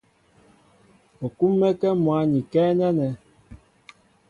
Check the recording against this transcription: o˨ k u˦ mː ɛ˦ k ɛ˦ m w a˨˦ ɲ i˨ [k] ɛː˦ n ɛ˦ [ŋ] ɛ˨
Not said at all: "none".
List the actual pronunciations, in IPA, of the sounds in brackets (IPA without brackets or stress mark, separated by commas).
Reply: k, n